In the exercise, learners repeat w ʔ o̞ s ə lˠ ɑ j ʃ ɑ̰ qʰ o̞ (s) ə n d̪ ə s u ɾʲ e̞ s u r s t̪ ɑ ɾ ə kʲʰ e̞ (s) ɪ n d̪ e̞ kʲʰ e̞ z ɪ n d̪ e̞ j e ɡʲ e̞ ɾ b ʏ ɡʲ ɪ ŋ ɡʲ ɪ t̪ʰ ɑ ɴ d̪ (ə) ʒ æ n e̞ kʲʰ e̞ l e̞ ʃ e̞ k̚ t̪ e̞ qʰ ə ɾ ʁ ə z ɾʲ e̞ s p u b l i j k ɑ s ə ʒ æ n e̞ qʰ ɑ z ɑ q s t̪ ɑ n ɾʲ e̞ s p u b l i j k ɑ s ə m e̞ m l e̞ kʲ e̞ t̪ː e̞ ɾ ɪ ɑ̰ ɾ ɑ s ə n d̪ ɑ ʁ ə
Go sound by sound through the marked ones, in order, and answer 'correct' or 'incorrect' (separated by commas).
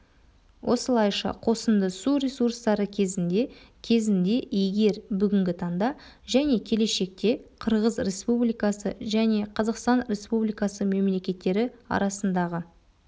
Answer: correct, incorrect, incorrect